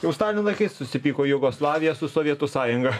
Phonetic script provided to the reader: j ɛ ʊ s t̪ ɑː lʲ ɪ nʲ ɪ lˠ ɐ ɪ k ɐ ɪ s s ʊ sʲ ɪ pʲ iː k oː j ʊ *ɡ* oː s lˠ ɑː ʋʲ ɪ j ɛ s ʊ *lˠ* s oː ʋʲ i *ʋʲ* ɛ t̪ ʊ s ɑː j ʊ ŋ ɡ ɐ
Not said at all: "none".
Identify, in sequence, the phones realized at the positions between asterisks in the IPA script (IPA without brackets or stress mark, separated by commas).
ɡ, none, none